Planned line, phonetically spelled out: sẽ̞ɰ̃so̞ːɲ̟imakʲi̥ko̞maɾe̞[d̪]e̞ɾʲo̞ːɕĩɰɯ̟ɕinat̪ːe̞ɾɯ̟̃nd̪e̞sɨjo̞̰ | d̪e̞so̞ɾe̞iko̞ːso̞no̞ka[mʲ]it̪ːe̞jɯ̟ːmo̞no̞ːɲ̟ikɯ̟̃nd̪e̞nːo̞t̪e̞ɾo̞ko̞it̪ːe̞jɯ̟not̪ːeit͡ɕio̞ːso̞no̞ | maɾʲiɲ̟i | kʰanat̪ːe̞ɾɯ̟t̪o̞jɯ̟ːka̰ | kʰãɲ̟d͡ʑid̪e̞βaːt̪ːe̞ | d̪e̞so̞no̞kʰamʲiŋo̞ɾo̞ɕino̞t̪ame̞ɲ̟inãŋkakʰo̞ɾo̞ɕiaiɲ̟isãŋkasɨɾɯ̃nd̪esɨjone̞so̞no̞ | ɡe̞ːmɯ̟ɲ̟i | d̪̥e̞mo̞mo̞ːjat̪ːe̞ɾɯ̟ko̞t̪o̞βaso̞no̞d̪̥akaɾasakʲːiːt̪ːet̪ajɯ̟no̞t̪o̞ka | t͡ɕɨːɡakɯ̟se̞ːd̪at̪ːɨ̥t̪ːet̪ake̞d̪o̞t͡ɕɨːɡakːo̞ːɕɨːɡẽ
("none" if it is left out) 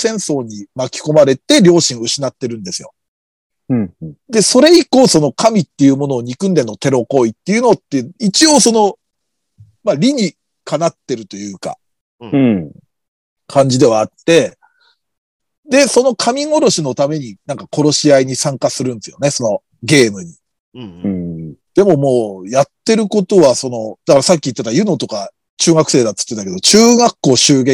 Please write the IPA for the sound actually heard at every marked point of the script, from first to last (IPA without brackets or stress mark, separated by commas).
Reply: t̪, mʲ